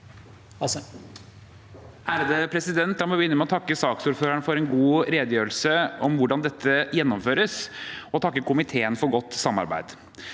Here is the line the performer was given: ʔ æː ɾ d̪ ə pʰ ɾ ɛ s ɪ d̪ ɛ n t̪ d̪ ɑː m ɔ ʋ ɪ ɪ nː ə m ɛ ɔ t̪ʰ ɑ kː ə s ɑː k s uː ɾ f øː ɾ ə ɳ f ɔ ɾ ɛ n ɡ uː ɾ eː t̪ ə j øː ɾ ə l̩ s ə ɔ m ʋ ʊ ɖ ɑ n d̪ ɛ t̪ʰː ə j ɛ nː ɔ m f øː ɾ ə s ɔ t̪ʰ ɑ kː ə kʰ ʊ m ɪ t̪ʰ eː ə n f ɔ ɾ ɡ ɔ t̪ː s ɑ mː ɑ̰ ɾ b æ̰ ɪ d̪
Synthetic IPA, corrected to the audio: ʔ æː ɾ d̪ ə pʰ ɾ ɛ s ɪ d̪ ɛ n t̪ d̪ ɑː m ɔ ʋ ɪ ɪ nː ə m ɛ ɔ t̪ʰ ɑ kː ə s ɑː k s uː ɾ f øː ɾ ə ɳ f ɔ ɾ ɛ n ɡ uː ɾ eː d̪ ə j øː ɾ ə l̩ s ə ɔ m ʋ ʊ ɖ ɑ n d̪ ɛ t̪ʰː ə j ɛ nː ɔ m f øː ɾ ə s ɔ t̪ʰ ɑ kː ə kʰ ʊ m ɪ t̪ʰ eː ə n f ɔ ɾ ɡ ɔ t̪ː s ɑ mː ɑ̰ ɾ b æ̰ ɪ d̪